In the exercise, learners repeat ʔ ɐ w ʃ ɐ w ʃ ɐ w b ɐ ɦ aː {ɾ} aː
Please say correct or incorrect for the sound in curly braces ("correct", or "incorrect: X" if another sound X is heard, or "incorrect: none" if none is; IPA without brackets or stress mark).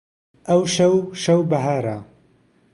correct